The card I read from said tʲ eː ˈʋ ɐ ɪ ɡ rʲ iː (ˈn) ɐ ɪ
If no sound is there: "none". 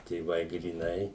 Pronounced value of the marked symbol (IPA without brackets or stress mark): n